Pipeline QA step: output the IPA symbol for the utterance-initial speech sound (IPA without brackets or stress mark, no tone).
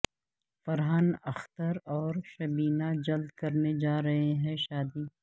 f